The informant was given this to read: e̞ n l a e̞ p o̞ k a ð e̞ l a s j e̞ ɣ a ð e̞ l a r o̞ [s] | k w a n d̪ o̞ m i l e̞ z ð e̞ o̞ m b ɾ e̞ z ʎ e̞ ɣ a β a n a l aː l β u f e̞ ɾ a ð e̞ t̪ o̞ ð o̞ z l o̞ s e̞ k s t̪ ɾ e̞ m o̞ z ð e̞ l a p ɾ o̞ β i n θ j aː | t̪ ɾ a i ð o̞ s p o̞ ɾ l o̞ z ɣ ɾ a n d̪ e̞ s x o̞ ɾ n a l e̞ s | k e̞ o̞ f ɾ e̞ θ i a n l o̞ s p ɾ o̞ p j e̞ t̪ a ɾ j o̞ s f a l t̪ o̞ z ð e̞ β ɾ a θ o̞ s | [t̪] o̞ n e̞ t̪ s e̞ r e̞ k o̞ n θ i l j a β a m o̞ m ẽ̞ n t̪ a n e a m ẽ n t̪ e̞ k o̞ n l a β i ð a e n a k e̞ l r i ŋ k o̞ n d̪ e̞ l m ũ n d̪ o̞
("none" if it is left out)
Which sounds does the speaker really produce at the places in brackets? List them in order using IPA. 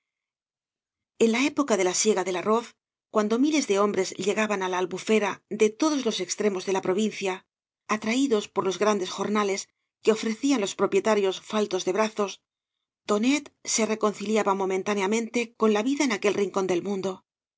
θ, t̪

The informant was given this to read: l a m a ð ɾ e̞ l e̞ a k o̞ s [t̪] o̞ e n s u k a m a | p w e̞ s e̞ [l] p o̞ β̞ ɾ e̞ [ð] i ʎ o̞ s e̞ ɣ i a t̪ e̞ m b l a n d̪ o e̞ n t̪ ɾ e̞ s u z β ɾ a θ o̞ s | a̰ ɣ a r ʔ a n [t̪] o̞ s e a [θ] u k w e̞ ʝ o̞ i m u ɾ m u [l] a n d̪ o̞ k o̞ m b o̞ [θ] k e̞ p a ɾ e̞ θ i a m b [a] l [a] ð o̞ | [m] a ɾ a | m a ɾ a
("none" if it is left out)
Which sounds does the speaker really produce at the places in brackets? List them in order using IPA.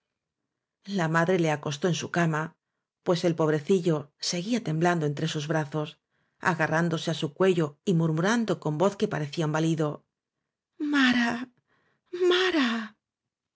t̪, l, θ, d̪, s, ɾ, θ, a, i, m

